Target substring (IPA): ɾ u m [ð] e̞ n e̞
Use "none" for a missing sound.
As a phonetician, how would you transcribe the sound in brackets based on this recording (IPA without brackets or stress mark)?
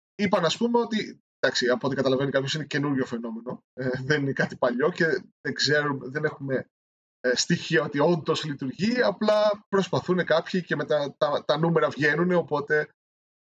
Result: ð